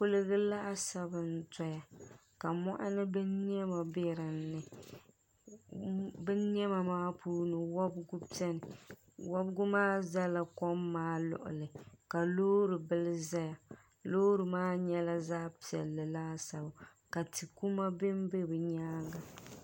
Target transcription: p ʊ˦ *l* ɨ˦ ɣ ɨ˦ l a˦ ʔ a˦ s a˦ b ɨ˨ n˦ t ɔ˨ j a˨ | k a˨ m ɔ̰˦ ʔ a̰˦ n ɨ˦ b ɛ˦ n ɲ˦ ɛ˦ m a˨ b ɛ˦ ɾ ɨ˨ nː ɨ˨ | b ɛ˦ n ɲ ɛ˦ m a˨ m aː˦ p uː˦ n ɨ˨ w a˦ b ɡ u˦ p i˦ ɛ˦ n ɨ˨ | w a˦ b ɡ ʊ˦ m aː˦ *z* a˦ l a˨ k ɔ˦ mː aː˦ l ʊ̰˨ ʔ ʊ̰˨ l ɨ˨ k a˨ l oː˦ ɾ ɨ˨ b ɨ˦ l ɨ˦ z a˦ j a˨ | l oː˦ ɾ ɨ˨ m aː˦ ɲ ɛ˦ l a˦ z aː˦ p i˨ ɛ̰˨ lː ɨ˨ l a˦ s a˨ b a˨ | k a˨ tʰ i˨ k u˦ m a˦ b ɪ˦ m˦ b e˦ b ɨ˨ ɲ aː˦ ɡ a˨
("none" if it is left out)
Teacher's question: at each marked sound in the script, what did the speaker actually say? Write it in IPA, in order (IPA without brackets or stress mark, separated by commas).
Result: l, z